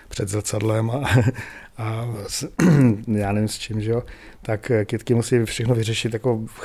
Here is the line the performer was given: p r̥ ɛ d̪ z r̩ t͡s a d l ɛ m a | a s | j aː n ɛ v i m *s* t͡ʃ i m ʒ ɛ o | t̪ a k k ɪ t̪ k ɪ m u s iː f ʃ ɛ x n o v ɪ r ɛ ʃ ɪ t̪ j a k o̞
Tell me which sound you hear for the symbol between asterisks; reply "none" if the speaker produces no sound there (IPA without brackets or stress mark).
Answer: s